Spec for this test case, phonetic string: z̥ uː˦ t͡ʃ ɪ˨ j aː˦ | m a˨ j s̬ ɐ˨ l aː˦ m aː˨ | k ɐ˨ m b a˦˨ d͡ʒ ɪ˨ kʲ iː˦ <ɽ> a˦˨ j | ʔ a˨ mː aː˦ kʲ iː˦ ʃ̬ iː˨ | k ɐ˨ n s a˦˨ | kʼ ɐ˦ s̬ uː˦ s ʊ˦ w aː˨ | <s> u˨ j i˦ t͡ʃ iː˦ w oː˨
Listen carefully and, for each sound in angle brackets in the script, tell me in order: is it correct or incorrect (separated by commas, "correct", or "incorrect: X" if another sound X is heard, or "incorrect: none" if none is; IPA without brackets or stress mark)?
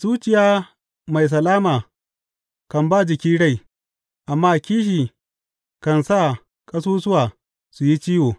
correct, correct